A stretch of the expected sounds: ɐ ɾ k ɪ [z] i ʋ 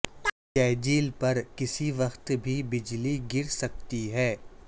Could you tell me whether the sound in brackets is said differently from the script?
yes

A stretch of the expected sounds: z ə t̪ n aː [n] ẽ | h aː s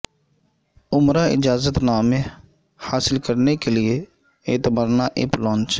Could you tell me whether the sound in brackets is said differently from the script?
yes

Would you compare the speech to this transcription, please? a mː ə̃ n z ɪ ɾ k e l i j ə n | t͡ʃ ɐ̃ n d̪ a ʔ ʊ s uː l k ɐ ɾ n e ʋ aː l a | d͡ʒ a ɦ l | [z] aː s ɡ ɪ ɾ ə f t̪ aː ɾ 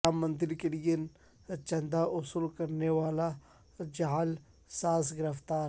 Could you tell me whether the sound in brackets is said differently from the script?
yes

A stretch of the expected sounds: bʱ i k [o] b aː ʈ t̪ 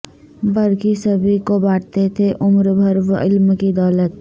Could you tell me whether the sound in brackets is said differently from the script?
no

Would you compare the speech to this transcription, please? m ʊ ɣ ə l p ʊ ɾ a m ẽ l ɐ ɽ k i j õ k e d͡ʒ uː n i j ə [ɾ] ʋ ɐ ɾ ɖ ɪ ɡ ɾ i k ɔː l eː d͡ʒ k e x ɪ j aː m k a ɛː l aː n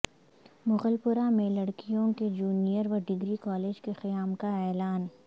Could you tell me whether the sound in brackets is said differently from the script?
no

